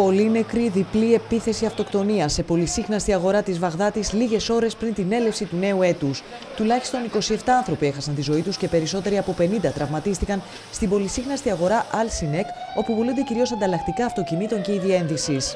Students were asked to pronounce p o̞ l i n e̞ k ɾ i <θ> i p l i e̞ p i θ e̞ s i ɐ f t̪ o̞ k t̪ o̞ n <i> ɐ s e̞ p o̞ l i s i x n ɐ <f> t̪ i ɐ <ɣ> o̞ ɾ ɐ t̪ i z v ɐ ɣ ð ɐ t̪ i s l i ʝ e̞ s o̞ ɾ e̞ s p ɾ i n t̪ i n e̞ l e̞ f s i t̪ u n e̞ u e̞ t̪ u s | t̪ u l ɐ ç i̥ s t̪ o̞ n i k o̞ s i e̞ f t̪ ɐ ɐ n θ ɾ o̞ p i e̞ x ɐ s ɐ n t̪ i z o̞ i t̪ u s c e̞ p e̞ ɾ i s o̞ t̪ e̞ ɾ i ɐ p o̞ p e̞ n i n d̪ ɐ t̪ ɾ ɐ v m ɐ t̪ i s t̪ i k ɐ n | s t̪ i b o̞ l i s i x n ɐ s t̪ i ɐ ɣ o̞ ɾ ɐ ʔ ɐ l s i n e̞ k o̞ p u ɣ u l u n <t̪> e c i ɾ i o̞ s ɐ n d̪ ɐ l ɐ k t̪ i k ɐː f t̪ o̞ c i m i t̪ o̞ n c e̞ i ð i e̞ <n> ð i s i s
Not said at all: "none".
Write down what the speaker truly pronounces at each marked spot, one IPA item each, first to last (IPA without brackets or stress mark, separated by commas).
ð, i, s, ɣ, d̪, n